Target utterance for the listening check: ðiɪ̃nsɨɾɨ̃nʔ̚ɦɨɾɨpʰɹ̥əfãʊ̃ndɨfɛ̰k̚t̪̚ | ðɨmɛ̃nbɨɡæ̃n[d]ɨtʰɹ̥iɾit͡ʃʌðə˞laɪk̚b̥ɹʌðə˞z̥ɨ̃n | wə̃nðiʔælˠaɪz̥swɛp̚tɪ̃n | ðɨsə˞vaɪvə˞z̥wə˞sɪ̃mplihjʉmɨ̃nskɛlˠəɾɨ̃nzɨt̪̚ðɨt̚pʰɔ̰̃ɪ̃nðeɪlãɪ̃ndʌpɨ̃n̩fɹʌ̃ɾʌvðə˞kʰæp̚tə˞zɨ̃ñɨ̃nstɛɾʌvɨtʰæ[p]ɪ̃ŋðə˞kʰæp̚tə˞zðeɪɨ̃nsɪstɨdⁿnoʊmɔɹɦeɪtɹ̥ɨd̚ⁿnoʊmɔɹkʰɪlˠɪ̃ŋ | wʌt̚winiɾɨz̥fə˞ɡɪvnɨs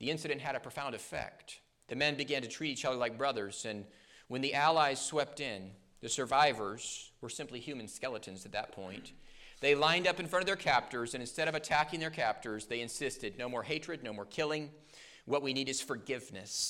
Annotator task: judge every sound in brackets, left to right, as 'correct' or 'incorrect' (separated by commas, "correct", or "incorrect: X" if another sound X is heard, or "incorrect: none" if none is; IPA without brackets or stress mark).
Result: incorrect: t, incorrect: k